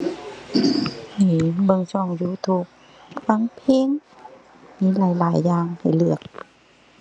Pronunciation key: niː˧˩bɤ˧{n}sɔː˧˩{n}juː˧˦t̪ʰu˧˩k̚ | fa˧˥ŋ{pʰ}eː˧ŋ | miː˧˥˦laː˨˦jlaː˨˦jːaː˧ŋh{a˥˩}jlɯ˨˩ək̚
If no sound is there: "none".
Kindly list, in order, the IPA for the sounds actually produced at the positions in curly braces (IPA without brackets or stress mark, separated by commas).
ŋ, ŋ, pʰ, a˨˩